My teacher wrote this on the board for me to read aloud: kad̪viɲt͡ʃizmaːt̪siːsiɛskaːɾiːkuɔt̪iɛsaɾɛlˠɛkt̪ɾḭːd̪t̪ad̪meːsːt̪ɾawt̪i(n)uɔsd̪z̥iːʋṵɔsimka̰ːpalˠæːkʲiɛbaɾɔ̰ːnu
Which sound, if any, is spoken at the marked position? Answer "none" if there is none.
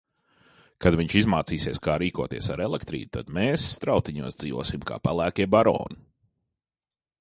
ɲ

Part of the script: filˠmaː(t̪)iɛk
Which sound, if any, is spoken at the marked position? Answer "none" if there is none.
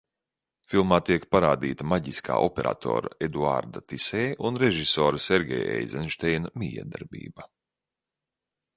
t̪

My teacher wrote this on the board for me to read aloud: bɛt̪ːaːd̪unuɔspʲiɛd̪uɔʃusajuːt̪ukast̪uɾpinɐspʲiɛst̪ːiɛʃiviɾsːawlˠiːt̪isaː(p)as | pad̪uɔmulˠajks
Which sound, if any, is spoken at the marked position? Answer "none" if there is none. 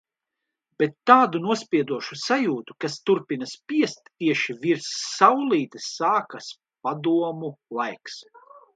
k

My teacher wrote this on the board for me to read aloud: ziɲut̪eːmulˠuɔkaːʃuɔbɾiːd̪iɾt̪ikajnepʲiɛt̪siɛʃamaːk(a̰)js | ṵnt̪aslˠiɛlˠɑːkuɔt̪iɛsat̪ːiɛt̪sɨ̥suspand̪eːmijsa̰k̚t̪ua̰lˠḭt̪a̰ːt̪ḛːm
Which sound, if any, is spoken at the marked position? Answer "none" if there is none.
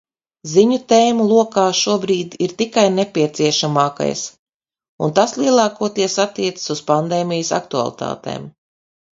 a̰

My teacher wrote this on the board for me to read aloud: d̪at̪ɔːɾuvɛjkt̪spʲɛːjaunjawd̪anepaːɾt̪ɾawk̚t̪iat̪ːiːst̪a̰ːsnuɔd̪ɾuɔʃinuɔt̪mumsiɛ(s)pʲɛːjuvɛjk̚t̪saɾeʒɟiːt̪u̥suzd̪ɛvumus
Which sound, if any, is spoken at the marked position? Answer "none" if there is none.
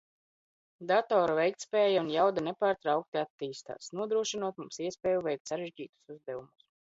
s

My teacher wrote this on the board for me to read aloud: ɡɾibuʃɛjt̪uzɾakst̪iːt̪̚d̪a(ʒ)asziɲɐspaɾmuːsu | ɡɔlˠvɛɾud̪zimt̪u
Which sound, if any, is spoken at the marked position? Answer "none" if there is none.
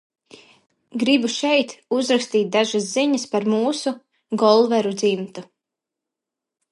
ʒ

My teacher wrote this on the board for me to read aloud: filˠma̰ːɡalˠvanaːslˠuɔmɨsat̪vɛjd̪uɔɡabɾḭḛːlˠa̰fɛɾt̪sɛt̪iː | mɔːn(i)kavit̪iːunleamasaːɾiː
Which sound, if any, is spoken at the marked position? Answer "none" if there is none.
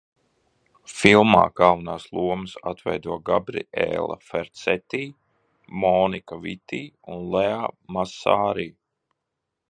i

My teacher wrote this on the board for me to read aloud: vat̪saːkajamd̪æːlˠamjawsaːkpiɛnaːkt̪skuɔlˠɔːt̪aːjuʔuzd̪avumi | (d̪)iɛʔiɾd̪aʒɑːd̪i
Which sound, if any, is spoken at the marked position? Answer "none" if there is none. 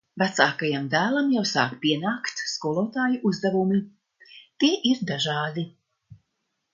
t̪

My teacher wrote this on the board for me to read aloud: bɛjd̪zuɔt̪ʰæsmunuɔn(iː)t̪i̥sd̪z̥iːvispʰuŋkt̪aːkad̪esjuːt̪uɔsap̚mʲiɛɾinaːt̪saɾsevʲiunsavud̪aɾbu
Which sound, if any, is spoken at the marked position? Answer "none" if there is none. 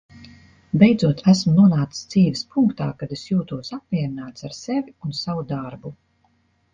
aː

